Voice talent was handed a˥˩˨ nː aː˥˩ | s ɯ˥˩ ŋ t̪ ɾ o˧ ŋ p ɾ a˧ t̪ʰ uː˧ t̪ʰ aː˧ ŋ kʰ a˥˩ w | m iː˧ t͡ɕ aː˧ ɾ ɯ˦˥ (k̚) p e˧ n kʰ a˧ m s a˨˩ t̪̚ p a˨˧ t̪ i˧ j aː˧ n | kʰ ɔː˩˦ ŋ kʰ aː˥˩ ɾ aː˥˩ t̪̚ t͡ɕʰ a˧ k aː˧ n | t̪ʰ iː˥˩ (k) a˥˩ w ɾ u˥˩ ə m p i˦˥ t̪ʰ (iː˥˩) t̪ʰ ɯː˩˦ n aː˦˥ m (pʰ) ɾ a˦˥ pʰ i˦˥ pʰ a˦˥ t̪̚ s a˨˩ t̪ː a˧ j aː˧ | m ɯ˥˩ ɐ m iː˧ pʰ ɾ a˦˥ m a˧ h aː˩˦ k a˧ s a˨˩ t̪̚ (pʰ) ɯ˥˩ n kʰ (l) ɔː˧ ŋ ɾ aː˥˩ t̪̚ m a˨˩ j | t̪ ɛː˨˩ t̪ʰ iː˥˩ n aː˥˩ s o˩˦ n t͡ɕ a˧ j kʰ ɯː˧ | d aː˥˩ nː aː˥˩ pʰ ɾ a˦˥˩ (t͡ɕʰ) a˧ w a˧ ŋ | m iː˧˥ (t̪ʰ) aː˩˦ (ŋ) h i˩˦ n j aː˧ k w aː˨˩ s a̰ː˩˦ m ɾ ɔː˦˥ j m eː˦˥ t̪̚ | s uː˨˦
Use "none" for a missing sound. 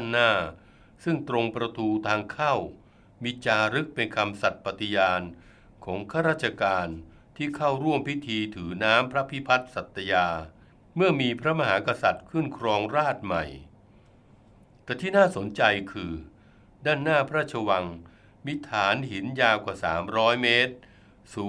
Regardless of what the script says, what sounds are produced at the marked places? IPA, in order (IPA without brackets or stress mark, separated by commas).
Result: k̚, kʰ, iː˧, pʰ, kʰ, ɾ, t͡ɕʰ, t̪ʰ, n